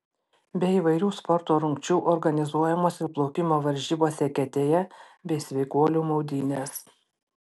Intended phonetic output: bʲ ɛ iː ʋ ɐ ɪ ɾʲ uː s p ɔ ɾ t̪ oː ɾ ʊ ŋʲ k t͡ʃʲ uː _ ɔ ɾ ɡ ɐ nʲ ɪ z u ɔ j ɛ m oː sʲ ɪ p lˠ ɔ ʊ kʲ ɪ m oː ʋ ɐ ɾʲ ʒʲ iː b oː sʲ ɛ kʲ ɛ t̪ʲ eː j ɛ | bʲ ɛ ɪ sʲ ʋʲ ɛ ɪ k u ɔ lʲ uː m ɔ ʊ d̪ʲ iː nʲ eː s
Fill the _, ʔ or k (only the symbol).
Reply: ʔ